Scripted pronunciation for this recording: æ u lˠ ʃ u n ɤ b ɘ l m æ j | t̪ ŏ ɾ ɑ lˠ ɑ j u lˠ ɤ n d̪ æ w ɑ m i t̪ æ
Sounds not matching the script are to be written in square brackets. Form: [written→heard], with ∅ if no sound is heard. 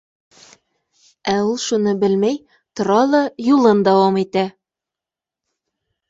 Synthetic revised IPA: æ u lˠ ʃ u n ɤ b ɘ l m æ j | t̪ ŏ ɾ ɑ lˠ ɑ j u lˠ ɤ n d̪ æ w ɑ m i t̪ æ